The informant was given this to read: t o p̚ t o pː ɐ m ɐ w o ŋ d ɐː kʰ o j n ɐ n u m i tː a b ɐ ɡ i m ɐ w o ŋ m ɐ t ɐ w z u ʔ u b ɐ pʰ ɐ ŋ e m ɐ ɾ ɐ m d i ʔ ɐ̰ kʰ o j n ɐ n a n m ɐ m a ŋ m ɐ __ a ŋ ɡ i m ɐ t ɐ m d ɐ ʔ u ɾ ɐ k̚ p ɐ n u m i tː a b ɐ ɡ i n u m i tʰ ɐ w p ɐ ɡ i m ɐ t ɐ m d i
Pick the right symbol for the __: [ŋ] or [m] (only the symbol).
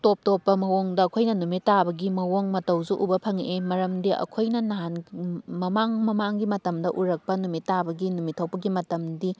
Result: m